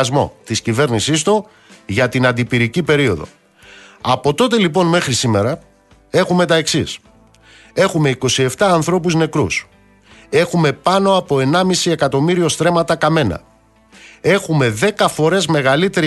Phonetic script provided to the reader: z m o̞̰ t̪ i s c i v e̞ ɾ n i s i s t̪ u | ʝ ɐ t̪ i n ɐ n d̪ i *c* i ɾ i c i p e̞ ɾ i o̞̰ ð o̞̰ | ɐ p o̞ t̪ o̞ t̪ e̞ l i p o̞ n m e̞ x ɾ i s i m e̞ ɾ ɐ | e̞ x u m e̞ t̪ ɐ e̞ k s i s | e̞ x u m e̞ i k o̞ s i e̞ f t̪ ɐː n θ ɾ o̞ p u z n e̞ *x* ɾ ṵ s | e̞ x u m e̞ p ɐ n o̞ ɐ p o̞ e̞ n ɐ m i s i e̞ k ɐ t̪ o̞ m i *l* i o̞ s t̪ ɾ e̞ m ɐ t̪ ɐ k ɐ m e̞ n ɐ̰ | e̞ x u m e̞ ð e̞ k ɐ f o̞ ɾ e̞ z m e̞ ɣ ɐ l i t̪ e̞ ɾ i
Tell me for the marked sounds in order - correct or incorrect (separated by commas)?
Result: incorrect, incorrect, incorrect